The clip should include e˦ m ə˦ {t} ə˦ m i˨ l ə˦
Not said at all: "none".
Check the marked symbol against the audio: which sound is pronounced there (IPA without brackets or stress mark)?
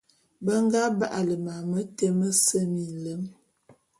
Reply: s